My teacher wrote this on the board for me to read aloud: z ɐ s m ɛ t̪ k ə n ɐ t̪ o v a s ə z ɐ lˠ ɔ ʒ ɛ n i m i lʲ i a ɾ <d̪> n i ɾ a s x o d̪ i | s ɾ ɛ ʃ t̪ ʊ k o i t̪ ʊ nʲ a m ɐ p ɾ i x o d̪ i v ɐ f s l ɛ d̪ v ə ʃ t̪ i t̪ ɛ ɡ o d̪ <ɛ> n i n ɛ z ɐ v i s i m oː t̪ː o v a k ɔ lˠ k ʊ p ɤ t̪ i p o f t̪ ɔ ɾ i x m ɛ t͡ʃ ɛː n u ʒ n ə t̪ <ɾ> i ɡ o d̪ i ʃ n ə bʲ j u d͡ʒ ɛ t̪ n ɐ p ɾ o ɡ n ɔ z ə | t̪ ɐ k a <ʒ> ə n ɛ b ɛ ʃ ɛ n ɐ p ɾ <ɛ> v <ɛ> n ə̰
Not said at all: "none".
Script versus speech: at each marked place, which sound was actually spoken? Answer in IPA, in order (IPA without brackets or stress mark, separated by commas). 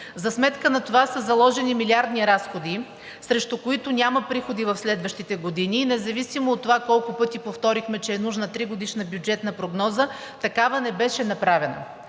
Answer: d̪, i, ɾ, v, a, ɛ